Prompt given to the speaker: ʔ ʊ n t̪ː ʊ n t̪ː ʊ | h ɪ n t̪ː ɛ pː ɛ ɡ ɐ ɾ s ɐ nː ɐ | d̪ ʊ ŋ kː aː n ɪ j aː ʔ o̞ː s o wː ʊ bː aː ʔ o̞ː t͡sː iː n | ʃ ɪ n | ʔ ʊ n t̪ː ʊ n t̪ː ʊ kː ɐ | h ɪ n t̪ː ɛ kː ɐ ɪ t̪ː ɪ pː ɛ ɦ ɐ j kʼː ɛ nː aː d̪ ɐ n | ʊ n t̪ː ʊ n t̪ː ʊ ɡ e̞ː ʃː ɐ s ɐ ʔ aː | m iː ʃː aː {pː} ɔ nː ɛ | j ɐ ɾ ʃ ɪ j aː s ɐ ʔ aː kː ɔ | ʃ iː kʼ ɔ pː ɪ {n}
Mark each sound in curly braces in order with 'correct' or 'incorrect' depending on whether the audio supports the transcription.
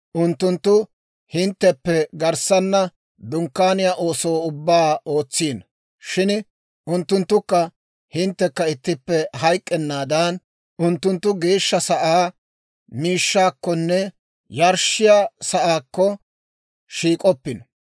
incorrect: kː, correct

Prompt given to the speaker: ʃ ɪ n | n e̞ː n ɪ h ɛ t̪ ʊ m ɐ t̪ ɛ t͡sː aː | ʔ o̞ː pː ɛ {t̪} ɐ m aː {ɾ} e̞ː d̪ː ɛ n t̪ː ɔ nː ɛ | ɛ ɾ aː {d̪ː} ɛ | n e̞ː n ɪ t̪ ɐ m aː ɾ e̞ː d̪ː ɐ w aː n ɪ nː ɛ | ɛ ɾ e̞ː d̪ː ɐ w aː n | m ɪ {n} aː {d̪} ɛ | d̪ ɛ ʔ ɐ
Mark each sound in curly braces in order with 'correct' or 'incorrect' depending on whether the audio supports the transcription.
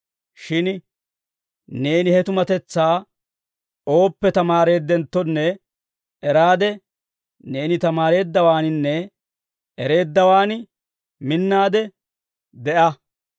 correct, correct, incorrect: d̪, incorrect: nː, correct

